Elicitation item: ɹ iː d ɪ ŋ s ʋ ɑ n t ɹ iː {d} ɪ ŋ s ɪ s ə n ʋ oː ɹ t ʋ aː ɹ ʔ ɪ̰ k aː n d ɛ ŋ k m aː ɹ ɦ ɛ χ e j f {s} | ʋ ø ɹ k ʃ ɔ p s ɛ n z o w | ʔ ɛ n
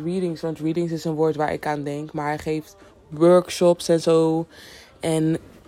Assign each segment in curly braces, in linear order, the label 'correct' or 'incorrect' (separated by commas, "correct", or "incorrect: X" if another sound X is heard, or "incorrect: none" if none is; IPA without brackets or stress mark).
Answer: correct, incorrect: t